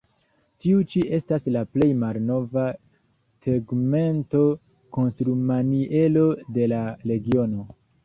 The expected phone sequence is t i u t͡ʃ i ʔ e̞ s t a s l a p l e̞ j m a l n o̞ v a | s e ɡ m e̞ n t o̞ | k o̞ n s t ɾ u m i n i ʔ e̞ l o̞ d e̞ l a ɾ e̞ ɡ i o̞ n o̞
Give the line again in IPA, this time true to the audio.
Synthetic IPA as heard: t i u t͡ʃ i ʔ e̞ s t a s l a p l e̞ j m a l n o̞ v a | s e ɡ m e̞ n t o̞ | k o̞ n s t ɾ u m a n i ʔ e̞ l o̞ d e̞ l a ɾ e̞ ɡ i o̞ n o̞